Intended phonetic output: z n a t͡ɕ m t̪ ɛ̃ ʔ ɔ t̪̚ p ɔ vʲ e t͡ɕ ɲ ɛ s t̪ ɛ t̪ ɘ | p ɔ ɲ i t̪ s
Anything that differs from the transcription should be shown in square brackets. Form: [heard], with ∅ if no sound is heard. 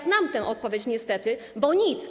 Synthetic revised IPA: z n a [∅] m t̪ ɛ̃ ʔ ɔ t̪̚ p ɔ vʲ e t͡ɕ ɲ ɛ s t̪ ɛ t̪ ɘ | [b] ɔ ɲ i t̪ s